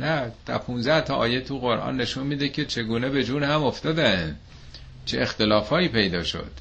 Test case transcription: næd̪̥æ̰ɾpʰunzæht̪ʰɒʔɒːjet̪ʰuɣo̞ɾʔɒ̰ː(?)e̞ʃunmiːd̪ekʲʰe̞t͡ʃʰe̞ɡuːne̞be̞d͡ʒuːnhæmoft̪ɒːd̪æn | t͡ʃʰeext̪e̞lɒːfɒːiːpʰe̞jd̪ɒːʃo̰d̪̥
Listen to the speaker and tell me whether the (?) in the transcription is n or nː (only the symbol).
nː